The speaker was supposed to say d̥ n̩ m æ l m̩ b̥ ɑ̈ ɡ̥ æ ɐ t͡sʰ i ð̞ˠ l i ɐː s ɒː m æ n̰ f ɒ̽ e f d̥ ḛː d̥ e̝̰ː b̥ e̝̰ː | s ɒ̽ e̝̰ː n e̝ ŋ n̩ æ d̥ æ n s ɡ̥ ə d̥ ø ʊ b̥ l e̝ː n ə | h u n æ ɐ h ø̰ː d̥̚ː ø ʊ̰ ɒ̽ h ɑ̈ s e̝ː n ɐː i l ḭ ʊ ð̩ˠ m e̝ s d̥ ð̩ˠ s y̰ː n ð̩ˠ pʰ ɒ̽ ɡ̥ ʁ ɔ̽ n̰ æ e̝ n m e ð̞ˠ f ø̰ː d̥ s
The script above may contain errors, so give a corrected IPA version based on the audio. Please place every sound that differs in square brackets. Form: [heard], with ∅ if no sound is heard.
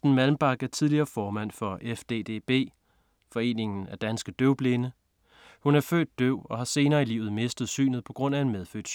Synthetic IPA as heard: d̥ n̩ m æ l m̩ b̥ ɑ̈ ɡ̥ æ ɐ t͡sʰ i ð̞ˠ l i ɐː [f] ɒː m æ n̰ f ɒ̽ e f d̥ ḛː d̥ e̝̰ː b̥ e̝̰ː | [f] ɒ̽ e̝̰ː n e̝ ŋ n̩ æ d̥ æ n s ɡ̥ ə d̥ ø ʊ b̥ l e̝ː n ə | h u n æ ɐ [f] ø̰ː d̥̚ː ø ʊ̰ ɒ̽ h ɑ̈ s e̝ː n ɐː i l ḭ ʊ ð̩ˠ m e̝ s d̥ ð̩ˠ s y̰ː n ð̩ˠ pʰ ɒ̽ ɡ̥ ʁ ɔ̽ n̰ æ e̝ n m e ð̞ˠ f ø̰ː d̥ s